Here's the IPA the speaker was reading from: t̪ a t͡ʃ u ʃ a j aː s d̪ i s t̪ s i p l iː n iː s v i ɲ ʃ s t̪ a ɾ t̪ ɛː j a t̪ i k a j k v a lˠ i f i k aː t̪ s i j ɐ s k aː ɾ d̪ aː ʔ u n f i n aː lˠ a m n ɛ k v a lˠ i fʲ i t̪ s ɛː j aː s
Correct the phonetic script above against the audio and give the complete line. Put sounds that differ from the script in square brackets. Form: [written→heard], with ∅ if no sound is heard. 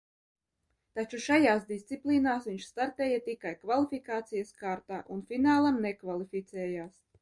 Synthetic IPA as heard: t̪ a t͡ʃ u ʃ a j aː s d̪ i s t̪ s i p l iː n [iː→aː] s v i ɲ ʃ s t̪ a ɾ t̪ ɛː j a t̪ i k a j k v a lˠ i f i k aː t̪ s i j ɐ s k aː ɾ [d̪→t̪] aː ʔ u n f i n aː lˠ a m n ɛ k v a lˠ i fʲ i t̪ s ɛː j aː s